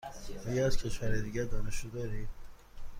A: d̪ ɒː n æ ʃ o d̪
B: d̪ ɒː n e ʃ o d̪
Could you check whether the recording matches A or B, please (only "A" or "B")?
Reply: B